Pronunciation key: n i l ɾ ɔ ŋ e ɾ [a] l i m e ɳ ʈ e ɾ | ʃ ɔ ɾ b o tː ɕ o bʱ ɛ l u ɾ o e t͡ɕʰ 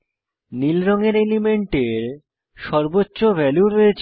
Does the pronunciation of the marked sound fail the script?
yes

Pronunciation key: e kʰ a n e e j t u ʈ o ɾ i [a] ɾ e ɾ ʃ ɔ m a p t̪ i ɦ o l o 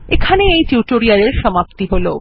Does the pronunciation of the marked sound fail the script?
no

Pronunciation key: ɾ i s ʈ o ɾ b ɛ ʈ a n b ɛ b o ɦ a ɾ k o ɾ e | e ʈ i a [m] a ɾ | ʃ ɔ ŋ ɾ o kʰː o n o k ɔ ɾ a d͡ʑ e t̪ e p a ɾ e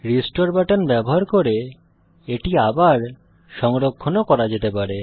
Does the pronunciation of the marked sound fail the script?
yes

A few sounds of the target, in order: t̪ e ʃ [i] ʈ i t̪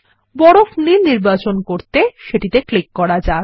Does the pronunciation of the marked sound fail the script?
yes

